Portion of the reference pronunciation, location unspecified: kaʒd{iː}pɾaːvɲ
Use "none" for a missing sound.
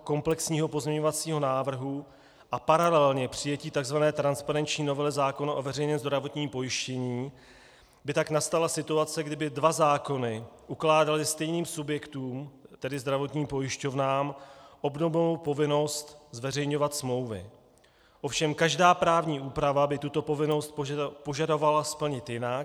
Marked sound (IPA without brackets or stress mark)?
aː